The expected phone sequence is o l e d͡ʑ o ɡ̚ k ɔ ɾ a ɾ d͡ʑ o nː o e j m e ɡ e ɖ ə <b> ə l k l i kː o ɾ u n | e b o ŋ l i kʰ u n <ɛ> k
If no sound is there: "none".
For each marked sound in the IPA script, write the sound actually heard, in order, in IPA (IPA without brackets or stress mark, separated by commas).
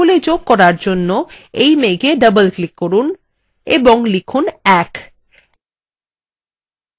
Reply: b, ɛ